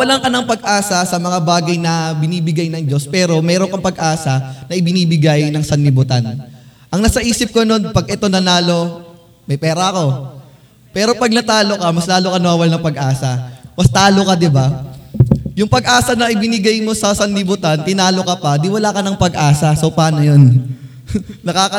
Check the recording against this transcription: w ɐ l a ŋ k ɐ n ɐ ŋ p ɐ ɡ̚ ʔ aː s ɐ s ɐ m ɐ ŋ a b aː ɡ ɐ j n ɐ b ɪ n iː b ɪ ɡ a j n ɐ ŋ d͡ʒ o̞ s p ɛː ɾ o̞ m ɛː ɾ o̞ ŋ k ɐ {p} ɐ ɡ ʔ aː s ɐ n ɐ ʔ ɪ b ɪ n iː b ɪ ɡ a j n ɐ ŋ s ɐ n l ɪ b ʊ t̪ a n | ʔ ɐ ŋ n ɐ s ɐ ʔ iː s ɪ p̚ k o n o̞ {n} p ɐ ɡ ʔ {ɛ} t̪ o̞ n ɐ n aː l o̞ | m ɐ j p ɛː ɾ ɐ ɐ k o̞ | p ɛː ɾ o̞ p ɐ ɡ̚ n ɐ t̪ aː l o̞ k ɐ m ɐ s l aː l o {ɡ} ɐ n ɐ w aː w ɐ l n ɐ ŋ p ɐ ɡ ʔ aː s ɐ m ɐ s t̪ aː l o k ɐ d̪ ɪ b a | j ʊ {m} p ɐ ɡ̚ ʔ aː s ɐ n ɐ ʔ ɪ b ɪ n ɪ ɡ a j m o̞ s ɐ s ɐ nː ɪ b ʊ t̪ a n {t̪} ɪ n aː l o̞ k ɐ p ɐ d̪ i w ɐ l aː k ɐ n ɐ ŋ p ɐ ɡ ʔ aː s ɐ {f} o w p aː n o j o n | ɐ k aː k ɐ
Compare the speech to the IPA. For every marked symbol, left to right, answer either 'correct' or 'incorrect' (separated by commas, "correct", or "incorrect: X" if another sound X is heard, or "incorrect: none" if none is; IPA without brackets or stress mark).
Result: correct, correct, correct, incorrect: k, incorrect: ŋ, correct, incorrect: s